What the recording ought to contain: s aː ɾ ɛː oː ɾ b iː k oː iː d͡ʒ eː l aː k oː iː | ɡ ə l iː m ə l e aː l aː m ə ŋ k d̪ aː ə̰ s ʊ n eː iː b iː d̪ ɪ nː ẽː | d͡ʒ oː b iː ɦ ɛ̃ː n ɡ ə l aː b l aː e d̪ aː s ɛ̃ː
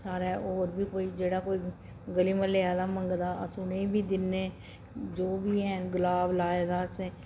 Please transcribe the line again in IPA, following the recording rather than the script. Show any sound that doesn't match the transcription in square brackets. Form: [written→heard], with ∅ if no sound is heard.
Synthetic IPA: s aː ɾ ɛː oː ɾ b iː k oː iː d͡ʒ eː [l→ɽ] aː k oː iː | ɡ ə l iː m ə l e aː l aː m ə ŋ [k→ɡ] d̪ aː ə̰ s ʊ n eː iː b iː d̪ ɪ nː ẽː | d͡ʒ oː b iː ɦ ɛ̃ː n ɡ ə l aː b l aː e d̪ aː s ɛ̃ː